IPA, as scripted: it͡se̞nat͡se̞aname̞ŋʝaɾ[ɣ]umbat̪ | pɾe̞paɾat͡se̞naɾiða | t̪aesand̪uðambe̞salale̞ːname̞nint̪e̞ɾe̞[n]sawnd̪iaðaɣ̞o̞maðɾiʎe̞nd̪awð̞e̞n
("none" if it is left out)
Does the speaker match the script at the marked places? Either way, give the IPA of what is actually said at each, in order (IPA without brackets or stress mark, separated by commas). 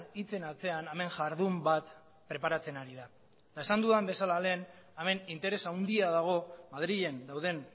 ð, none